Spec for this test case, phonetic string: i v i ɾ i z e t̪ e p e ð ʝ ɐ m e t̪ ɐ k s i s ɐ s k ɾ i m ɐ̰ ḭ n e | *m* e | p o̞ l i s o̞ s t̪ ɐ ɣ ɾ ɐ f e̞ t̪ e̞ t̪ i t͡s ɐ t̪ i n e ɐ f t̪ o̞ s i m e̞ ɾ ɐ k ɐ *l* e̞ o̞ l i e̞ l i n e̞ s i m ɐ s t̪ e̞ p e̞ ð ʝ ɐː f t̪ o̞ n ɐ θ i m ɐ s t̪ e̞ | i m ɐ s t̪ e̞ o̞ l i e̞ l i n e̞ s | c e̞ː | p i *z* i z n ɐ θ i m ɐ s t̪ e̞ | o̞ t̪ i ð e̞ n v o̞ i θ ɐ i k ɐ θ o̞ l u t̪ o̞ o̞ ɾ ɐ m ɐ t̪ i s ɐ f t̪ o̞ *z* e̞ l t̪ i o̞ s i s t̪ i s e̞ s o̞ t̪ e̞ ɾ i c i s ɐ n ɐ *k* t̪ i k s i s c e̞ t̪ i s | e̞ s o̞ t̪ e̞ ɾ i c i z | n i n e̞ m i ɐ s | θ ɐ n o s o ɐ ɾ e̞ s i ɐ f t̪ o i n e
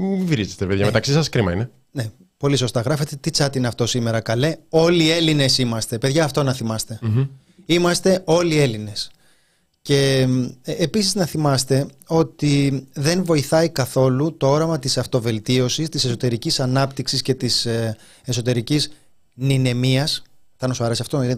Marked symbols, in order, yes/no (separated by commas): no, yes, no, no, no